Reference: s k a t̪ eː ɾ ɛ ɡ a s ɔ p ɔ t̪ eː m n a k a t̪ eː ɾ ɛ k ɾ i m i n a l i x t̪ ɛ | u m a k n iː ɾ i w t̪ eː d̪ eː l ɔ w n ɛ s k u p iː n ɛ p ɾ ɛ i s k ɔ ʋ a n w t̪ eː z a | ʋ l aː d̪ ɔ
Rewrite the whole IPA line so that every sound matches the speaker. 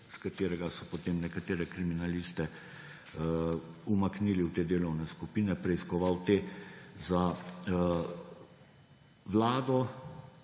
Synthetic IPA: s k a t̪ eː ɾ ɛ ɡ a s ɔ p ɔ t̪ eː m n ɛ k a t̪ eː ɾ ɛ k ɾ i m i n a l i s t̪ ɛ | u m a k n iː l i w t̪ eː d̪ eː l ɔ w n ɛ s k u p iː n ɛ p ɾ ɛ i s k ɔ ʋ a w t̪ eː z a | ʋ l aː d̪ ɔ